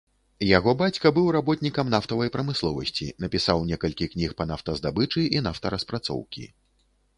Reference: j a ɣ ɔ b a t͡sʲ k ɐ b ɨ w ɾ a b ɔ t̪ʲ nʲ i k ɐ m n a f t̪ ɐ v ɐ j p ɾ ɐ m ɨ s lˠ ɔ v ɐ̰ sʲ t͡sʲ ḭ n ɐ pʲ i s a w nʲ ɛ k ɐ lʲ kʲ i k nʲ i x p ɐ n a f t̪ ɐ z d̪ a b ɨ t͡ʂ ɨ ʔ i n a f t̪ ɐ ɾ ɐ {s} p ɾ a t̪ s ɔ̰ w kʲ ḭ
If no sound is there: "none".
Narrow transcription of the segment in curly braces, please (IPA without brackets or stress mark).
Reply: s